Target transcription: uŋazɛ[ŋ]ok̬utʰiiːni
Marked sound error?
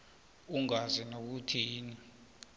yes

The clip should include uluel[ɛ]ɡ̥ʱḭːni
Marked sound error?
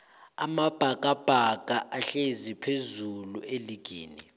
yes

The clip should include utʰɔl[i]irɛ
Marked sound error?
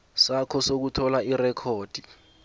yes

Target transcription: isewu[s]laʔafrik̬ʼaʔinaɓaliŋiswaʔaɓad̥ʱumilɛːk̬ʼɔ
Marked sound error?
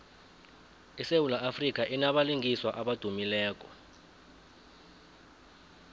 yes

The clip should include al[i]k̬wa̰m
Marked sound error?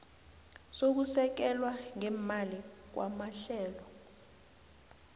no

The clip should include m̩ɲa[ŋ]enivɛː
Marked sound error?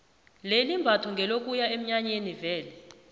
yes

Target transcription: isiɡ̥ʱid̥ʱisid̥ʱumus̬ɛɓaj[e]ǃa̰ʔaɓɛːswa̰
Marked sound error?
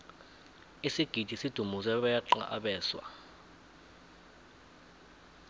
yes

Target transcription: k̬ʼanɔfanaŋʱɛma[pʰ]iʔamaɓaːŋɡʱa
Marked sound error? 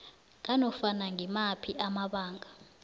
no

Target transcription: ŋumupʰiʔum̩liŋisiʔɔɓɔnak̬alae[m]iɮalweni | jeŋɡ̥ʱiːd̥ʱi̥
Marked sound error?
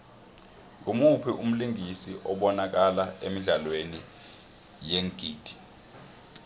no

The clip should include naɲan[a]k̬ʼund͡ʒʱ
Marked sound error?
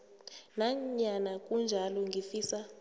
no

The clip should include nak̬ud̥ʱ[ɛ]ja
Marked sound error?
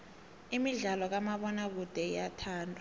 no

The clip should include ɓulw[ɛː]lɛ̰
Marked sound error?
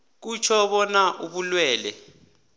no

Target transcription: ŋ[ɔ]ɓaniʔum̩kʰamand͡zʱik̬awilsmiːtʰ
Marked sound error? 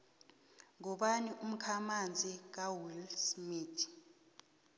no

